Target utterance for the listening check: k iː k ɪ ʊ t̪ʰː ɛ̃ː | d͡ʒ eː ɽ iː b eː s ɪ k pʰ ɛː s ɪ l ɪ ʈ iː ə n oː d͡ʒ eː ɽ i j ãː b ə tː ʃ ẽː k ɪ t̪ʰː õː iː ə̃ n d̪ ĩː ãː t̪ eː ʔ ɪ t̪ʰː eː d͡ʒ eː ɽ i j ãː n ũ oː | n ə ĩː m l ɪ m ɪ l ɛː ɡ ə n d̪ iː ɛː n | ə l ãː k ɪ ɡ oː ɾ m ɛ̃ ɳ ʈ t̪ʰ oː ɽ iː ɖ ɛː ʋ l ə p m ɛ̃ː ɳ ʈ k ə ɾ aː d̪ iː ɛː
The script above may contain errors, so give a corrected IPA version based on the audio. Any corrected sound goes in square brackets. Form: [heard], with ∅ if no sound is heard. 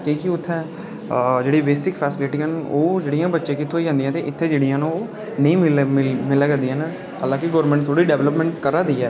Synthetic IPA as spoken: k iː k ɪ ʊ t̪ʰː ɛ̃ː | d͡ʒ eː ɽ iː b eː s ɪ k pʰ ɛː s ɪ l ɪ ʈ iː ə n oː d͡ʒ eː ɽ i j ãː b ə tː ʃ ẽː k ɪ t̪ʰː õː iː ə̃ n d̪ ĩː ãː t̪ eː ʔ ɪ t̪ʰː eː d͡ʒ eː ɽ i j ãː n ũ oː | n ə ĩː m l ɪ m ɪ l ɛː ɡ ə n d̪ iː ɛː n | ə l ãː k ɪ ɡ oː ɾ m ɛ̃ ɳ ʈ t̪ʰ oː ɽ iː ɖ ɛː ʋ l ə p m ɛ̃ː ɳ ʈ k ə ɾ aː d̪ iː ɛː